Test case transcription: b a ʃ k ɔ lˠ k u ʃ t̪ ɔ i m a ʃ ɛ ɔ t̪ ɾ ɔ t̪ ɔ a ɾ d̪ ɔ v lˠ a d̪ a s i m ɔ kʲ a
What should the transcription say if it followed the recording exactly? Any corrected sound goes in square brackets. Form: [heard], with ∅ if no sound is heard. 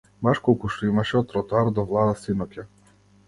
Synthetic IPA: b a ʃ k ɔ lˠ k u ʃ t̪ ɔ i m a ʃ ɛ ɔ t̪ ɾ ɔ t̪ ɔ a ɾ d̪ ɔ v lˠ a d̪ a s i [n] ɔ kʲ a